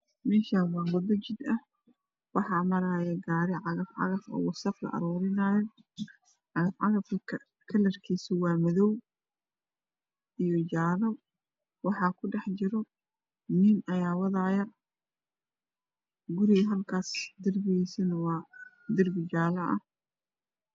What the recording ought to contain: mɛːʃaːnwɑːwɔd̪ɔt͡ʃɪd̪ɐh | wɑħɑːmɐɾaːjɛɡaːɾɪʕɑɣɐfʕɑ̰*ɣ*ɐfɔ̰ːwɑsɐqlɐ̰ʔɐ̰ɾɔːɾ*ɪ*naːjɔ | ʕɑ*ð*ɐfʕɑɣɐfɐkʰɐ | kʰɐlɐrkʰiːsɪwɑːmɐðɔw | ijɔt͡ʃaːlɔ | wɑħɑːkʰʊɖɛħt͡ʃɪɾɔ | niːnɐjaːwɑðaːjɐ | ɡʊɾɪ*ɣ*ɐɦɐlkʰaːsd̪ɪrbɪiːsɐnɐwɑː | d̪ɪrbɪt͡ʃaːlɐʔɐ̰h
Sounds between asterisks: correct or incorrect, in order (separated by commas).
correct, correct, incorrect, correct